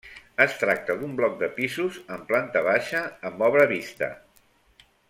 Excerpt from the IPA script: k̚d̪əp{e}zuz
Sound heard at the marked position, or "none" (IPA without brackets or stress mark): i